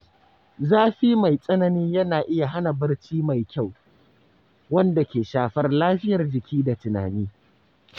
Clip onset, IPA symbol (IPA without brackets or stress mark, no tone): z